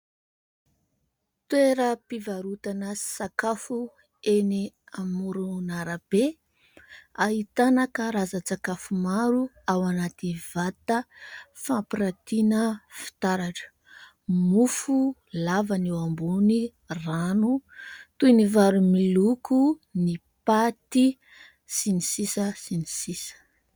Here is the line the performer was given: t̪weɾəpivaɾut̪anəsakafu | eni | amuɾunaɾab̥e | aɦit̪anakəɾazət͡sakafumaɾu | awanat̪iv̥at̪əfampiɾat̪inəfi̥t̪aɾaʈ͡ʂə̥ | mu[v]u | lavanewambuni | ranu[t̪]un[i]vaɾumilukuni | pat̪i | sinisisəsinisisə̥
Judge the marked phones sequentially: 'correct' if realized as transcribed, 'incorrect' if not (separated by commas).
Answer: incorrect, correct, correct